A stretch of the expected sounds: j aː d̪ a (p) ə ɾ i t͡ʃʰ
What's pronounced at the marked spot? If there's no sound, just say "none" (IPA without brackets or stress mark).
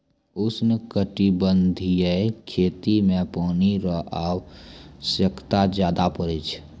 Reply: p